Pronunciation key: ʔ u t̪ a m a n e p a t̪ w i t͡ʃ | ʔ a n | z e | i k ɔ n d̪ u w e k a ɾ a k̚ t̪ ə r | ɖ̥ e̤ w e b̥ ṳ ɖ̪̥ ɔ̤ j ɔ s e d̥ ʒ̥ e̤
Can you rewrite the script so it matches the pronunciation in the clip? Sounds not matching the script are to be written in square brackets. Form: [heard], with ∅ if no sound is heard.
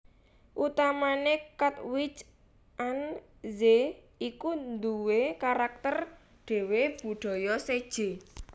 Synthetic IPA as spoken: ʔ u t̪ a m a n e [k] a t̪ w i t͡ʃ | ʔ a n | z e | i k [u] n d̪ u w e k a ɾ a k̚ t̪ ə r | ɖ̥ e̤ w e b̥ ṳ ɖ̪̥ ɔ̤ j ɔ s e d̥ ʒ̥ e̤